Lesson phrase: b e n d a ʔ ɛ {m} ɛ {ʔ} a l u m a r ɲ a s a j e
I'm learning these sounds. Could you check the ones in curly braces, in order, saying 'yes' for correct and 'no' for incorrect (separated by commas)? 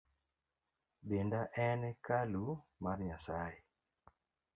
no, no